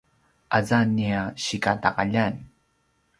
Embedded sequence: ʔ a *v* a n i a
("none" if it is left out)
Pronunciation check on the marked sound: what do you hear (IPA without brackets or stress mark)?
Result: z